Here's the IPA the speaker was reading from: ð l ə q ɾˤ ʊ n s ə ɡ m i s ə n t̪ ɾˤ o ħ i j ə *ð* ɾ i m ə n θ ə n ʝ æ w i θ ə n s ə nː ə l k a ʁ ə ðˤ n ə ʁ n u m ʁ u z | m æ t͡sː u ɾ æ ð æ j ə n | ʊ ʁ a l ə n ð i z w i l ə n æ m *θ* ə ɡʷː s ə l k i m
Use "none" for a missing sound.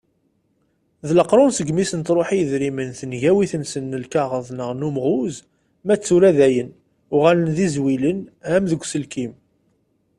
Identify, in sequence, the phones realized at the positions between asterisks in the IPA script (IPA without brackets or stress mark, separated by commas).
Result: ð, ð